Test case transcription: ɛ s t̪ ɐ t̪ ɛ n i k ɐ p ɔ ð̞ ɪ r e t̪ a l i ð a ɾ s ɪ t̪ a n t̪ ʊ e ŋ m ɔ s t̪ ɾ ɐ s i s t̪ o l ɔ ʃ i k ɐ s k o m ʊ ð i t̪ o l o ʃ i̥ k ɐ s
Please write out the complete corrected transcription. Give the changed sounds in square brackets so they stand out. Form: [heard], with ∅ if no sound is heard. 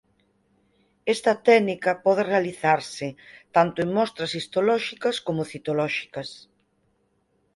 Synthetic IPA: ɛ s t̪ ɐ t̪ ɛ n i k ɐ p ɔ ð̞ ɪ r e [∅] a l i [θ] a ɾ s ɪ t̪ a n t̪ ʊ e ŋ m ɔ s t̪ ɾ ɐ s i s t̪ o l ɔ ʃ i k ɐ s k o m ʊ [θ] i t̪ o l [ɔ] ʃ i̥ k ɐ s